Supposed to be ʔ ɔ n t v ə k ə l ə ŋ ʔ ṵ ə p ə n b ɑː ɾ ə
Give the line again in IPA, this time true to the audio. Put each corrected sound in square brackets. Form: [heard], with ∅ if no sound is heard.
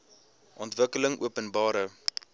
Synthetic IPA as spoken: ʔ ɔ n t v ə k ə l ə ŋ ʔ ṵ ə p ə n b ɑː ɾ ə